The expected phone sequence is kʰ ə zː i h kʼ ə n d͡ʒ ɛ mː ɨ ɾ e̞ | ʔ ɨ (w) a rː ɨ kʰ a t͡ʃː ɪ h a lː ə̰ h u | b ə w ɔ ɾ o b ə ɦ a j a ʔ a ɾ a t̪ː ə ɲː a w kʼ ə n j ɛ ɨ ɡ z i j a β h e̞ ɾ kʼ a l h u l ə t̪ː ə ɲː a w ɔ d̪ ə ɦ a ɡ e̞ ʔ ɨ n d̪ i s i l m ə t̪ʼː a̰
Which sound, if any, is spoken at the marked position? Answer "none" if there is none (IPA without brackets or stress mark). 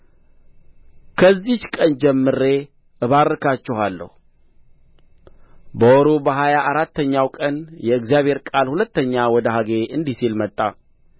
β